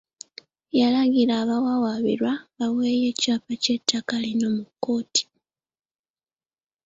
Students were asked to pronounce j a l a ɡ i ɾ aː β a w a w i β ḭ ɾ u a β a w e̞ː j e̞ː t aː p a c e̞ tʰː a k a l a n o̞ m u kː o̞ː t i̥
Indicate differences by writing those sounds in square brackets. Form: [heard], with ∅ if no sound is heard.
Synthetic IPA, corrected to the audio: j a l a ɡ i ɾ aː β a w a w [a] β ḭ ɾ [w] a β a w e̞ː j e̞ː [c] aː p a c e̞ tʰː a k a l [i] n o̞ m u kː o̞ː t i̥

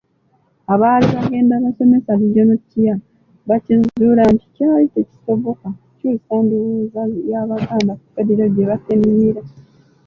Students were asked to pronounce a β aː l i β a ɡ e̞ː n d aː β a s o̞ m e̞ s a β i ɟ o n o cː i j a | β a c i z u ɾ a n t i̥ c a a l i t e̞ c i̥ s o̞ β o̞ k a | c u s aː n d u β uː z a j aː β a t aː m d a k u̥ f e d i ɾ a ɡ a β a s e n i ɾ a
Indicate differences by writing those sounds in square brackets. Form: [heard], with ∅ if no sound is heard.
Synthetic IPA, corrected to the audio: a β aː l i β a ɡ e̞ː n d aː β a s o̞ m e̞ s a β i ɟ o n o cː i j a | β a c i z u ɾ a n t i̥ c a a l i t e̞ c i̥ s o̞ β o̞ k a | c u s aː n d u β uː z a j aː β a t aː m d a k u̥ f e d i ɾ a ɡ [e] β a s e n i ɾ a

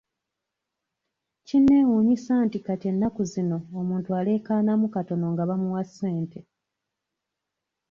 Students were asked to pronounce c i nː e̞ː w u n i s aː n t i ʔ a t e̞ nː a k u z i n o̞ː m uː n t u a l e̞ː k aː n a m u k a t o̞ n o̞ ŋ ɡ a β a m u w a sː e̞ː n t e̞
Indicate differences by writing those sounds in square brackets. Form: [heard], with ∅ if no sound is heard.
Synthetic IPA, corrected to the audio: c i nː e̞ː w u [ɲ] i s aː n t i [k] a t e̞ nː a k u z i n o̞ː m uː n t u a l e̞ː k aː n a m u k a t o̞ n o̞ ŋ ɡ a β a m u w a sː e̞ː n t e̞

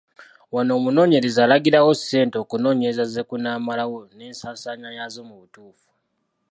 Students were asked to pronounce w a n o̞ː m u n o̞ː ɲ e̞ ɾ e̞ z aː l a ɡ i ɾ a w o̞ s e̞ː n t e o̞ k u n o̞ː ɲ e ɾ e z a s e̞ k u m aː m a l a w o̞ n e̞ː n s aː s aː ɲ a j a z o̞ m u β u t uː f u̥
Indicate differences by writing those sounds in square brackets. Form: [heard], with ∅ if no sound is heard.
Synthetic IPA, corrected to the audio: w a n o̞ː m u n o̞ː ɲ e̞ ɾ e̞ z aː l a ɡ i ɾ a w o̞ s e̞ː n t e o̞ k u n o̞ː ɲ e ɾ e z a [z] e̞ k u [n] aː m a l a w o̞ n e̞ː n s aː s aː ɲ a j a z o̞ m u β u t uː f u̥

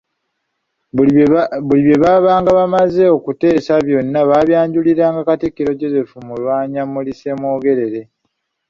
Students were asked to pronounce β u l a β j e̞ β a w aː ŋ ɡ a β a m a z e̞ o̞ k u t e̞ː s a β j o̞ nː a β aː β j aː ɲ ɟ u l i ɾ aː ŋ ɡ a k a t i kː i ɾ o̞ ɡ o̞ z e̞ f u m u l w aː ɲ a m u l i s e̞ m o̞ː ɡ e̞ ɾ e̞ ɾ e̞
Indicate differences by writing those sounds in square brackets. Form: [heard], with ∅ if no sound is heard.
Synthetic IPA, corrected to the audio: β u l [i] β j e̞ β a [β] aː ŋ ɡ a β a m a z e̞ o̞ k u t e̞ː s a β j o̞ nː a β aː β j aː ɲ ɟ u l i ɾ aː ŋ ɡ a k a t i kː i ɾ o̞ [ɟ] o̞ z e̞ f u m u l w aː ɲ a m u l i s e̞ m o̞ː ɡ e̞ ɾ e̞ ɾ e̞

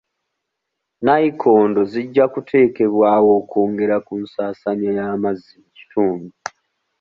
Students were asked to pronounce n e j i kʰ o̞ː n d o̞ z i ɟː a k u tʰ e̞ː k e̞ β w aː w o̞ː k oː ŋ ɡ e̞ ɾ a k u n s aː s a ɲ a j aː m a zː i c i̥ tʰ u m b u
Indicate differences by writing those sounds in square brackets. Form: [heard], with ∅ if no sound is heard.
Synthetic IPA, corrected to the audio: n [a] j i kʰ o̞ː n d o̞ z i ɟː a k u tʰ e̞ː k e̞ β w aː w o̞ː k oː ŋ ɡ e̞ ɾ a k u n s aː s a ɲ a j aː m a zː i c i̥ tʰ [uː] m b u

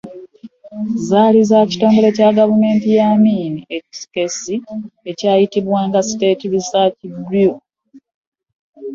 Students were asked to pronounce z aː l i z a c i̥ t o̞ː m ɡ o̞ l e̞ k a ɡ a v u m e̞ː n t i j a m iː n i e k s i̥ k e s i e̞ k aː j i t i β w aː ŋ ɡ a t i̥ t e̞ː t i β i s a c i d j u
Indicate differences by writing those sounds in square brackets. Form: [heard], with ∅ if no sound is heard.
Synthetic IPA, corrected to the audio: z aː l i z a c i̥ t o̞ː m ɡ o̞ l e̞ [c] a ɡ a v u m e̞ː n t i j a m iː n i e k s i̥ k e s i e̞ [c] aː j i t i β w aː ŋ ɡ a [s] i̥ t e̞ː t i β i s a c i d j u

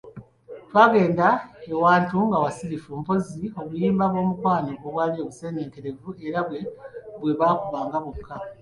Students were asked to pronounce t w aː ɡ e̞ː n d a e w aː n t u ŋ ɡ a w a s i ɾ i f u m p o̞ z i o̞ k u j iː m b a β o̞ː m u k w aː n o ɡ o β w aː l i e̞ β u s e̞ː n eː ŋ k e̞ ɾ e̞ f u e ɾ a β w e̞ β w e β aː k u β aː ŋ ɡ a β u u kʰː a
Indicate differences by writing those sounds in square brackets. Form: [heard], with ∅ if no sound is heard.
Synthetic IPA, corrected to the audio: t w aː ɡ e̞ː n d a e w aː n t u ŋ ɡ a w a s i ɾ i f u m p o̞ z i o̞ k u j iː m b a β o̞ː m u k w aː n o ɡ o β w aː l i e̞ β u s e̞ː n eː ŋ k e̞ ɾ e̞ [v] u e ɾ a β w e̞ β w e β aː k u β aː ŋ ɡ a β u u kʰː a

